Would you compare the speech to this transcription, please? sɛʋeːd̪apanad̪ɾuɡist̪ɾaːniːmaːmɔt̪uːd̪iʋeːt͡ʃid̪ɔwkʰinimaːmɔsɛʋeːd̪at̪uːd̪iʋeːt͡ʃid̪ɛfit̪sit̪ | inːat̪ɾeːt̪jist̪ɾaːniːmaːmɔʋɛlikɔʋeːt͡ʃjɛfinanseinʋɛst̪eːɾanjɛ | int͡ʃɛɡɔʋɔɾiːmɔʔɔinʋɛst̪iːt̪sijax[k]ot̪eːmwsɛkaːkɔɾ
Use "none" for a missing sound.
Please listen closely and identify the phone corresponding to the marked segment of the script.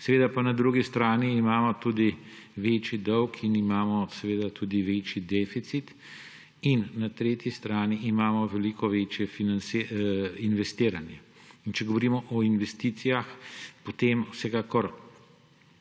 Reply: p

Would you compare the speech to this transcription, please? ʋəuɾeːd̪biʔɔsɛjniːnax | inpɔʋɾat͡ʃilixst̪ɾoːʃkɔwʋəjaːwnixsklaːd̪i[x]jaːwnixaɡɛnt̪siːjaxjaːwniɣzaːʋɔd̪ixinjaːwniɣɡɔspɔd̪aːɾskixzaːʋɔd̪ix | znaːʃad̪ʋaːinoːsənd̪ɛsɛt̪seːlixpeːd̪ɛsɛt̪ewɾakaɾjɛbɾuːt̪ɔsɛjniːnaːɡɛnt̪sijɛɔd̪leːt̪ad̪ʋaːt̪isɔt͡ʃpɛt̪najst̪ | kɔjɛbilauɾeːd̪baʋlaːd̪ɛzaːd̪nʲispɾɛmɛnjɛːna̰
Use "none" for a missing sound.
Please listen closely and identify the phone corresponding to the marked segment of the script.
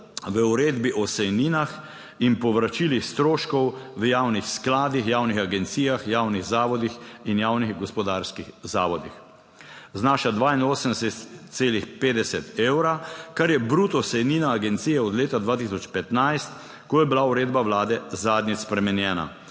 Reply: x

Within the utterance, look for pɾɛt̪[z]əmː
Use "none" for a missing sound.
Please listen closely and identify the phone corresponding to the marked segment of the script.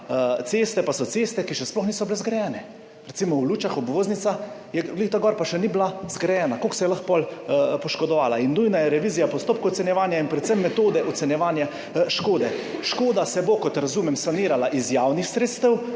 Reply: s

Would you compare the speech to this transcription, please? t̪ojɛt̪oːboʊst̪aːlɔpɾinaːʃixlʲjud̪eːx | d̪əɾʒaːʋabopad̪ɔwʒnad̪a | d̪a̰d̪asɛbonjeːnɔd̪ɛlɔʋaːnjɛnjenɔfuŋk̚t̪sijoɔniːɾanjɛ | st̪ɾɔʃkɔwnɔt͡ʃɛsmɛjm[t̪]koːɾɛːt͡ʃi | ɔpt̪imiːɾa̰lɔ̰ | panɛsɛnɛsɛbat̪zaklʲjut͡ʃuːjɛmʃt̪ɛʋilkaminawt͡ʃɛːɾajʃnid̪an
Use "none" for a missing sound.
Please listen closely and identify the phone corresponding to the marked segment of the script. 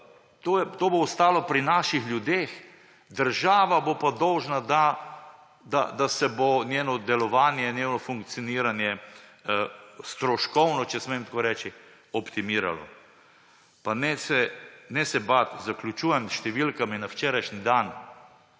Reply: t̪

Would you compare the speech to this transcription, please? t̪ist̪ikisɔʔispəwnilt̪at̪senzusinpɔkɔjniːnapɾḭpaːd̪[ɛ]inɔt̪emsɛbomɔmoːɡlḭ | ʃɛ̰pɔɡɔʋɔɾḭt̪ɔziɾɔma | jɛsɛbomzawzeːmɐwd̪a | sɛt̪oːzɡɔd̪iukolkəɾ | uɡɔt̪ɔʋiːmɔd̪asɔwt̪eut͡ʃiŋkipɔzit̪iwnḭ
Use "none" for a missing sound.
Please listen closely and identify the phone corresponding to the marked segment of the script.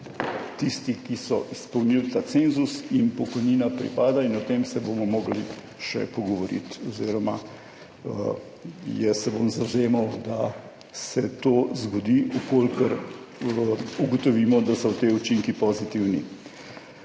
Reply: a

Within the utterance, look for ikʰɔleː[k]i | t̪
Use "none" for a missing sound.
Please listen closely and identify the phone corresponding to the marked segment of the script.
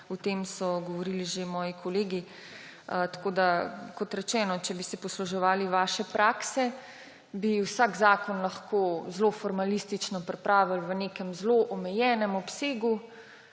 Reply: ɡ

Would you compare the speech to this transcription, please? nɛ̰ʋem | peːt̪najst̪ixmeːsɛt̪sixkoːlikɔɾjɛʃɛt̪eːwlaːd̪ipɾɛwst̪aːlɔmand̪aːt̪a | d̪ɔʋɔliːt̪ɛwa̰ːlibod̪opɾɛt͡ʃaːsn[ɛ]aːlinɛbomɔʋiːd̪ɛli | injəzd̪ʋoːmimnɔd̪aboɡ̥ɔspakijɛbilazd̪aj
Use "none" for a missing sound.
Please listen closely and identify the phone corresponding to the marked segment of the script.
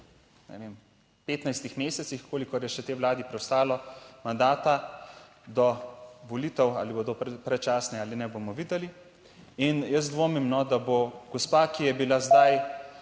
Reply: ɛ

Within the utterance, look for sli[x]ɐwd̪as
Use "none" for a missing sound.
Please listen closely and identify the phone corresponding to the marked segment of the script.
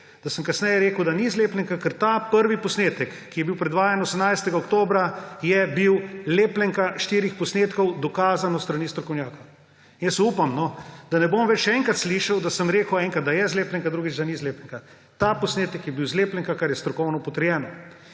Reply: ʃ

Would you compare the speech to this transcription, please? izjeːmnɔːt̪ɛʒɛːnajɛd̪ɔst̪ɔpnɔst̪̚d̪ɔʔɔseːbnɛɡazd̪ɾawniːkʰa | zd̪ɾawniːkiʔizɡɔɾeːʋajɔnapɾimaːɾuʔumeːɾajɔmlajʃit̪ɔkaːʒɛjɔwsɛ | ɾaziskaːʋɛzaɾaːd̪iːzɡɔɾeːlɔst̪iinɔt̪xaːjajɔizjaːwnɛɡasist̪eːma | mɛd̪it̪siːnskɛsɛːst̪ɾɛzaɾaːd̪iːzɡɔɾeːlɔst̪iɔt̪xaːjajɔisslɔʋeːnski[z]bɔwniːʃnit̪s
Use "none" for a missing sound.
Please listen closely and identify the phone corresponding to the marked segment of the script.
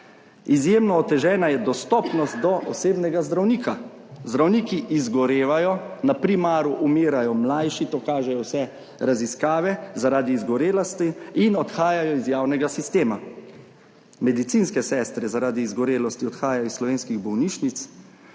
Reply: ɣ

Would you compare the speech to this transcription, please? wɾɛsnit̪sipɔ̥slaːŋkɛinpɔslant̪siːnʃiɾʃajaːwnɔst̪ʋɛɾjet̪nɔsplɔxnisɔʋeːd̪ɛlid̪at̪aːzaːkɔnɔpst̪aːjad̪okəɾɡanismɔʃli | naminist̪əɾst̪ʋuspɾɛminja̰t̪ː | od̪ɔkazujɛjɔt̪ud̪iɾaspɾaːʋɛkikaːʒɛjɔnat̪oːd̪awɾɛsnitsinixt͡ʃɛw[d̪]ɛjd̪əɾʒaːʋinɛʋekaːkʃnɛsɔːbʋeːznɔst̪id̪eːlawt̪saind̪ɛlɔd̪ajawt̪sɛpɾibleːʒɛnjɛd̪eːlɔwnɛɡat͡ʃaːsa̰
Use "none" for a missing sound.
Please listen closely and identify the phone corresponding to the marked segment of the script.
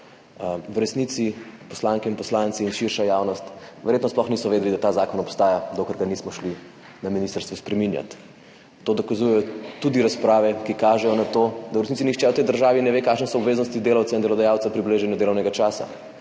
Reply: t̪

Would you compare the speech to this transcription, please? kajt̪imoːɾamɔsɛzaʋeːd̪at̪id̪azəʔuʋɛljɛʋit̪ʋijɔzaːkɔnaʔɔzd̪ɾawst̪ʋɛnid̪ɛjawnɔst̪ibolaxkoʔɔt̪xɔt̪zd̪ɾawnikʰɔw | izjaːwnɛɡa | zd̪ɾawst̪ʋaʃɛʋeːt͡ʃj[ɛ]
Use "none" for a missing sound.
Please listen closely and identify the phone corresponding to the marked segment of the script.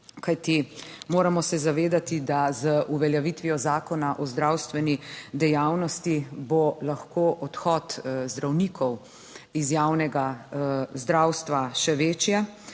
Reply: ɛ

